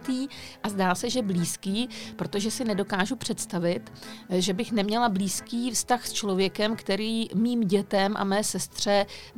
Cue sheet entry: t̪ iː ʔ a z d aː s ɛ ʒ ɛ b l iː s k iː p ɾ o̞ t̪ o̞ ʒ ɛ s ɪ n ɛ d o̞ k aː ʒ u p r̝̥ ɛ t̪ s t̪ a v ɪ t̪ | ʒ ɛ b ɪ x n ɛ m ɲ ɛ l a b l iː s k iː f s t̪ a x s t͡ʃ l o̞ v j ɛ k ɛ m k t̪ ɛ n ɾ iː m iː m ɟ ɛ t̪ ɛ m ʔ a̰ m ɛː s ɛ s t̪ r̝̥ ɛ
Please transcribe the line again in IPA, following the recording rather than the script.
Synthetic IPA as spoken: t̪ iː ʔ a z d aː s ɛ ʒ ɛ b l iː s k iː p ɾ o̞ t̪ o̞ ʒ ɛ s ɪ n ɛ d o̞ k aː ʒ u p r̝̥ ɛ t̪ s t̪ a v ɪ t̪ | ʒ ɛ b ɪ x n ɛ m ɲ ɛ l a b l iː s k iː f s t̪ a x s t͡ʃ l o̞ v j ɛ k ɛ m k t̪ ɛ ɾ iː m iː m ɟ ɛ t̪ ɛ m ʔ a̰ m ɛː s ɛ s t̪ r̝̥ ɛ